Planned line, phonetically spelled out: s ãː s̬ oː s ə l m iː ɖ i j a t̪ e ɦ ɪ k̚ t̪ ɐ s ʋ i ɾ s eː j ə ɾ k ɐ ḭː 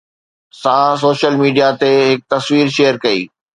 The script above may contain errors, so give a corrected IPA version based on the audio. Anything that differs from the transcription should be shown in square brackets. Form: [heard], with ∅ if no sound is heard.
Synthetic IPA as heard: s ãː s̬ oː [ʃ] ə l m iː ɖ i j a t̪ e ɦ ɪ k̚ t̪ ɐ s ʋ [iː] ɾ [ʃ] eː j ə ɾ k ɐ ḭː